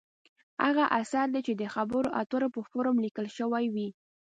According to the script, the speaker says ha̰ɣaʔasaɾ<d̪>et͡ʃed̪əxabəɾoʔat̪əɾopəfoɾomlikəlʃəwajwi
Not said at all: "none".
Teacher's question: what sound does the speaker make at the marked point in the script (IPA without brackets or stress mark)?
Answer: d̪